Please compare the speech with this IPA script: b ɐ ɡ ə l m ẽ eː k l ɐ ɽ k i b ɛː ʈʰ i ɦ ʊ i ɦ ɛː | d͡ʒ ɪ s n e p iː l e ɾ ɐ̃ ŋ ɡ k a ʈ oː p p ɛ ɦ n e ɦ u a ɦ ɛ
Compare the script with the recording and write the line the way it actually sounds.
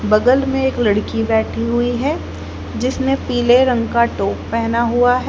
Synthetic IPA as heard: b ɐ ɡ ə l m ẽ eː k l ɐ ɽ k i b ɛː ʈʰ i ɦ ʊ i ɦ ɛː | d͡ʒ ɪ s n e p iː l e ɾ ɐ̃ ŋ ɡ k a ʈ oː p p ɛ ɦ n a ɦ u a ɦ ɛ